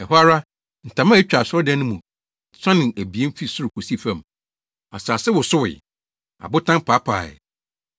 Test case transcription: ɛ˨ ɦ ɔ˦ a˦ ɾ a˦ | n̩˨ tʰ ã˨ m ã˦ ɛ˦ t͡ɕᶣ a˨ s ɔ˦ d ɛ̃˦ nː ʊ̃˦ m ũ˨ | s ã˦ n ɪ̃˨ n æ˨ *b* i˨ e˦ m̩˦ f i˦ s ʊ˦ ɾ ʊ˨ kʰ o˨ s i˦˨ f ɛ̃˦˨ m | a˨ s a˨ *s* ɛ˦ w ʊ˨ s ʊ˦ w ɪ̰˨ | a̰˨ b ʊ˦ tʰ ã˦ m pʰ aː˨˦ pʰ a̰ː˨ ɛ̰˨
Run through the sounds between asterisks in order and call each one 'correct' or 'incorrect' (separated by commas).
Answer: correct, correct